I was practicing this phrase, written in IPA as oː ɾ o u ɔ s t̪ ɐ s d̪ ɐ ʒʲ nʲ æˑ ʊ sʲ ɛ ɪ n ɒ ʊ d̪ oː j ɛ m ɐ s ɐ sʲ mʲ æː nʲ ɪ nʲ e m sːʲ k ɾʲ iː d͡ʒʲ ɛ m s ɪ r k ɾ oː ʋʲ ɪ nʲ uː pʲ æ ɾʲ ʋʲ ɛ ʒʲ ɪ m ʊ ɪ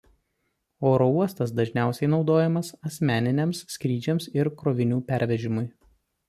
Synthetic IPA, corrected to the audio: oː ɾ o u ɔ s t̪ ɐ s d̪ ɐ ʒʲ nʲ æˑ ʊ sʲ ɛ ɪ n ɒ ʊ d̪ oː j ɛ m ɐ s ɐ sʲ mʲ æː nʲ ɪ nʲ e m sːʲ k ɾʲ iː d͡ʒʲ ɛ m s ɪ ɾ k ɾ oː ʋʲ ɪ nʲ uː pʲ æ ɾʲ ʋʲ ɛ ʒʲ ɪ m ʊ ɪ